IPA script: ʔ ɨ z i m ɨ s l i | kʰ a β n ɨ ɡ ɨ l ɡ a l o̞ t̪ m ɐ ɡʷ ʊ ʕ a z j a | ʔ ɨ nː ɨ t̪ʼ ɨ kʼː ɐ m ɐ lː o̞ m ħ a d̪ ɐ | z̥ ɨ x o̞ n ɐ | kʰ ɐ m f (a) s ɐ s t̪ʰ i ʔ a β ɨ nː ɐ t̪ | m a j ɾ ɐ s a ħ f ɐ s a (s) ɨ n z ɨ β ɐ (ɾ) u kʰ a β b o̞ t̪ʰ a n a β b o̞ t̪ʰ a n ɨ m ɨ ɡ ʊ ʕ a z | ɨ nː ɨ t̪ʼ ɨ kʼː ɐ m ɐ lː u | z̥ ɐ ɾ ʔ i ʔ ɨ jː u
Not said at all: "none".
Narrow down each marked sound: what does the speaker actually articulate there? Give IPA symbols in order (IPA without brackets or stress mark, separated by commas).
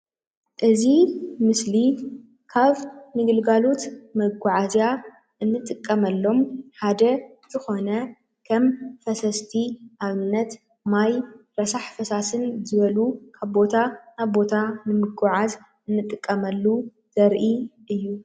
ɐ, s, l